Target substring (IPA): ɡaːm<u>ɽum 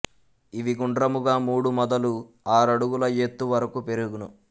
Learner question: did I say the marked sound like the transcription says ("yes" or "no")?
no